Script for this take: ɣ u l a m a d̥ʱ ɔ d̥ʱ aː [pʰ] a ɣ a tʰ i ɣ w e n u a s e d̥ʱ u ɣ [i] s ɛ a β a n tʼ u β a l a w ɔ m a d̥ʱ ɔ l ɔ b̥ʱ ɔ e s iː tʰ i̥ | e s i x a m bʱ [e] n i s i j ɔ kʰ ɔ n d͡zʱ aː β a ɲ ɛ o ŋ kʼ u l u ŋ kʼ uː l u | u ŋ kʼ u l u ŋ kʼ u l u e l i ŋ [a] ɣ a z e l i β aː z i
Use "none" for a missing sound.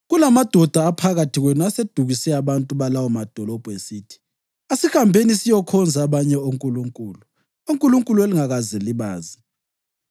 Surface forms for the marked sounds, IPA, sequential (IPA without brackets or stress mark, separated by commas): pʰ, i, e, a